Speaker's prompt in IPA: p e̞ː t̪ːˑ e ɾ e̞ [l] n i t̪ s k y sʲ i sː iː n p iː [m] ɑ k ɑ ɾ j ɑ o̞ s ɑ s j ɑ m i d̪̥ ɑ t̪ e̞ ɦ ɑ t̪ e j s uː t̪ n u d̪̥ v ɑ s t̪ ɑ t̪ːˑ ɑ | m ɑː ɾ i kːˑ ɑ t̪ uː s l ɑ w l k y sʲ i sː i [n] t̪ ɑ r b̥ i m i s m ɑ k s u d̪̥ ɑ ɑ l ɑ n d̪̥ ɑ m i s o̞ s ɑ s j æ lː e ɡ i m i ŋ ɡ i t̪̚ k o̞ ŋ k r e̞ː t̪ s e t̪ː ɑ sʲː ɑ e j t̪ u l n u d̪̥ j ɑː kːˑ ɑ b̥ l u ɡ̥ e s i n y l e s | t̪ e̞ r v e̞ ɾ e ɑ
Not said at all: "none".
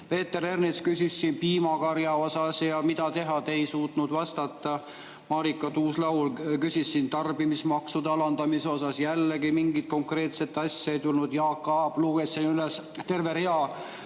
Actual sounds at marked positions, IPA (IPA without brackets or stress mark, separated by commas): r, m, n